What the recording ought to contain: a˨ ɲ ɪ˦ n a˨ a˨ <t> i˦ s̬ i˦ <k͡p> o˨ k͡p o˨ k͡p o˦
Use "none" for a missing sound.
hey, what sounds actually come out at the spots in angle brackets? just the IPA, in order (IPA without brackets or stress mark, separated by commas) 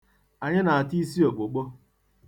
t, none